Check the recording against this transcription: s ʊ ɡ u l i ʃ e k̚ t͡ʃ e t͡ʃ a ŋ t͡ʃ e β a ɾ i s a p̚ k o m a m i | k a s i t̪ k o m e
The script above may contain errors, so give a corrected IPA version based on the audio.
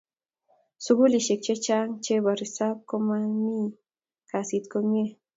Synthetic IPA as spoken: s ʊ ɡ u l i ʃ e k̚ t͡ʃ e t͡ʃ a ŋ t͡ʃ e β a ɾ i s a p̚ k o m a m i | k a s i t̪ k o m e